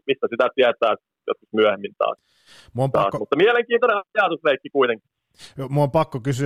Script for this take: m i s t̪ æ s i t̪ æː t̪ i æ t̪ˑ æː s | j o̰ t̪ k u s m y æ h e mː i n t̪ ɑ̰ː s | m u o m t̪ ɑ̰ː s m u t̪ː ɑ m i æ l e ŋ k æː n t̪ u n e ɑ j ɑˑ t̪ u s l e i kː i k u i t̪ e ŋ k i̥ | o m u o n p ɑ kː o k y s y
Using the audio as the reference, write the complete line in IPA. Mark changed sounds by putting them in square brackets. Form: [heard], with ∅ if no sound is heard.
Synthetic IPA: m i s t̪ æ s i t̪ [æ] t̪ i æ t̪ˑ æː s | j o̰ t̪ k u s m y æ h e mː i n t̪ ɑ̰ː s | m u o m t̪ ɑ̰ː s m u t̪ː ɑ m i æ l e ŋ k [iː] n t̪ [o] n e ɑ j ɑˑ t̪ u s l e i kː i k u i t̪ e ŋ k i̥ | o m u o [m] p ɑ kː o k y s y